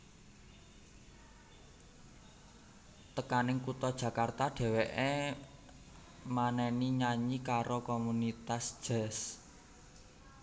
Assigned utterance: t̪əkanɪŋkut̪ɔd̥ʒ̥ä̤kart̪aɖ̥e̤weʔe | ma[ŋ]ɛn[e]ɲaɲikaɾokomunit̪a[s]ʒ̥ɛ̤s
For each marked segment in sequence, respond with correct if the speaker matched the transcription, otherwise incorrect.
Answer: incorrect: n, incorrect: i, correct

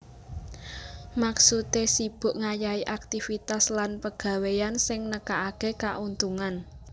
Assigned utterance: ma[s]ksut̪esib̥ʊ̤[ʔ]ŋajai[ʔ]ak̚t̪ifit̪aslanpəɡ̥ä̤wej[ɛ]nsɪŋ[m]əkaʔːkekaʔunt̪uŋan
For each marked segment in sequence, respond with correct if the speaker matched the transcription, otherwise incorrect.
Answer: incorrect: none, correct, correct, incorrect: a, incorrect: n

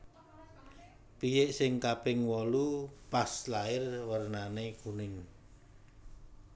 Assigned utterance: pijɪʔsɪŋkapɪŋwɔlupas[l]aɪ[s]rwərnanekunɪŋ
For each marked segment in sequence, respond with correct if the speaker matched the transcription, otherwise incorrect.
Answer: correct, incorrect: none

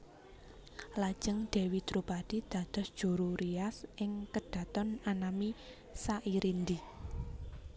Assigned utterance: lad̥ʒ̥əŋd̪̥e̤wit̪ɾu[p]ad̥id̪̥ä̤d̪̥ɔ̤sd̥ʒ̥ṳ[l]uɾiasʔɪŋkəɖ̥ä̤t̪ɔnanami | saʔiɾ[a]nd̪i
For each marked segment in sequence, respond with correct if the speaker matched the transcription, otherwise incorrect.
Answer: correct, incorrect: ɾ, incorrect: i

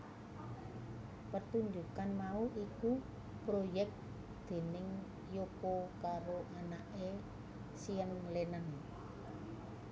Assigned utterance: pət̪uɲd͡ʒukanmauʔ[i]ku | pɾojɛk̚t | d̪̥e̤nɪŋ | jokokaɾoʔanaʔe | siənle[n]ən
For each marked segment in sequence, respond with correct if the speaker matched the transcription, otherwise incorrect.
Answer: correct, correct

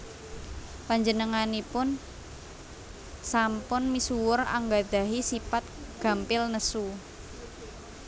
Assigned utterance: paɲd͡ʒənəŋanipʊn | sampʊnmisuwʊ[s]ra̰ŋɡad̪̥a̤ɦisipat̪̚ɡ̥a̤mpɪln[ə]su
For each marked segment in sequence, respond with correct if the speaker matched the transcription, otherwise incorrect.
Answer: incorrect: none, correct

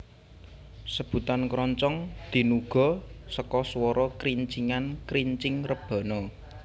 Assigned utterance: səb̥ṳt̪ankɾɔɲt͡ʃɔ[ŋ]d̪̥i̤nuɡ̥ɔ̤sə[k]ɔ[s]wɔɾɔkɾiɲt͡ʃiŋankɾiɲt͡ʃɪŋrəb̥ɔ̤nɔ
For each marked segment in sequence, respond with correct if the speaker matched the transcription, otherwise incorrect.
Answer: correct, correct, correct

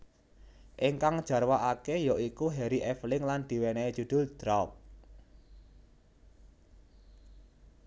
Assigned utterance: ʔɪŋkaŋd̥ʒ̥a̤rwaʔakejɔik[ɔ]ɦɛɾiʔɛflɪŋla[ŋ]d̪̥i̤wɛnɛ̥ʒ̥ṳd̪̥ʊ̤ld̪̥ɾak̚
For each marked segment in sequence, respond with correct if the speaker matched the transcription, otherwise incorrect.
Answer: incorrect: u, incorrect: n

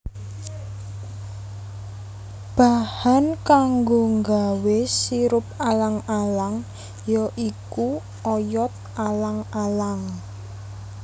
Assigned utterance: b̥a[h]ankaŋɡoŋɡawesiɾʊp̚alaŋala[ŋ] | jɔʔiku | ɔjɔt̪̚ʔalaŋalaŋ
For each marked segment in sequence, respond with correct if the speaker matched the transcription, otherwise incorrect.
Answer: correct, correct

